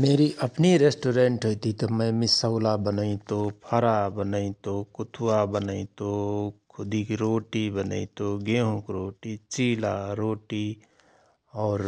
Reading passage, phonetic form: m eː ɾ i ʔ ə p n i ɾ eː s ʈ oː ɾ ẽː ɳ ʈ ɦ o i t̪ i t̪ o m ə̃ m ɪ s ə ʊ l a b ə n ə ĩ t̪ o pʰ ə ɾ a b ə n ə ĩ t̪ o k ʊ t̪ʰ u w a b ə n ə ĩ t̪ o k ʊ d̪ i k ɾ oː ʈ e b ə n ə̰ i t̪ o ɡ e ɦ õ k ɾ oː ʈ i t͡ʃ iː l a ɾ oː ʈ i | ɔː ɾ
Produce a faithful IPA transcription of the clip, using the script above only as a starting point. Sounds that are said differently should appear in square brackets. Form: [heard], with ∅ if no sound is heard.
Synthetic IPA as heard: m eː ɾ i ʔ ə p n i ɾ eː s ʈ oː ɾ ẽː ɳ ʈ ɦ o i t̪ i t̪ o m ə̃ m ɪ s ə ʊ l a b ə n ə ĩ t̪ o pʰ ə ɾ a b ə n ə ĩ t̪ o k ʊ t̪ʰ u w a b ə n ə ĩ t̪ o [kʰ] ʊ d̪ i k ɾ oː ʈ [i] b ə n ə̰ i t̪ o ɡ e ɦ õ k ɾ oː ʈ i t͡ʃ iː l a ɾ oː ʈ i | ɔː ɾ